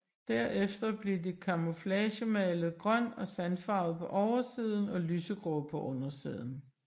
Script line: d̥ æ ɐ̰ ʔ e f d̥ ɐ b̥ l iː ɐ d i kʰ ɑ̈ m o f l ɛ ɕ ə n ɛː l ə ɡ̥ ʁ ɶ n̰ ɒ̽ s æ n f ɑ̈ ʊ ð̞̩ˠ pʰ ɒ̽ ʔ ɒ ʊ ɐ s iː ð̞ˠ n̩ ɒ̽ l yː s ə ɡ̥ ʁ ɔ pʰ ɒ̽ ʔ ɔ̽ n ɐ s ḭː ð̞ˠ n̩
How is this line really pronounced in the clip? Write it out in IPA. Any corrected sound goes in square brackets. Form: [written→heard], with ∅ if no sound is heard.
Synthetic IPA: d̥ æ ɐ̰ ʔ e f d̥ ɐ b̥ l [iː→i] ɐ d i kʰ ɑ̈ m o f l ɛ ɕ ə [n→m] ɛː l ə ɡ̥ ʁ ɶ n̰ ɒ̽ s æ n f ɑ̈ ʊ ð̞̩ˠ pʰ ɒ̽ ʔ ɒ ʊ ɐ s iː ð̞ˠ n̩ ɒ̽ l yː s ə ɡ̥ ʁ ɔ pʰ ɒ̽ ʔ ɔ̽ n ɐ s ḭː ð̞ˠ n̩